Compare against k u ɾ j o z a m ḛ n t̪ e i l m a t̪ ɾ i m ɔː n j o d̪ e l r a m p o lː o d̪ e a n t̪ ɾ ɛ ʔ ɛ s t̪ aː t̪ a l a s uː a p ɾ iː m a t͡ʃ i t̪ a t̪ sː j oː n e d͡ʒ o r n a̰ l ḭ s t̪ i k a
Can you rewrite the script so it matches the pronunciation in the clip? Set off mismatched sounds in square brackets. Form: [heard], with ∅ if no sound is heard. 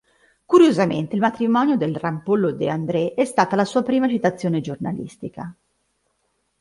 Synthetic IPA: k u ɾ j o z a m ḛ n t̪ e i l m a t̪ ɾ i m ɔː n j o d̪ e l r a m p o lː o d̪ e a n [d̪] ɾ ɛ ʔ ɛ s t̪ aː t̪ a l a s uː a p ɾ iː m a t͡ʃ i t̪ a t̪ sː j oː n e d͡ʒ o r n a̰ l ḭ s t̪ i k a